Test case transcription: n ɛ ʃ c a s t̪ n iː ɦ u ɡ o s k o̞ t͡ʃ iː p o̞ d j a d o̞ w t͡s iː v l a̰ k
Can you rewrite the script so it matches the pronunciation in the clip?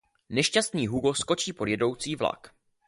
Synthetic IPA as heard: n ɛ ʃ c a s t̪ n iː ɦ u ɡ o s k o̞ t͡ʃ iː p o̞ d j ɛ d o̞ w t͡s iː v l a̰ k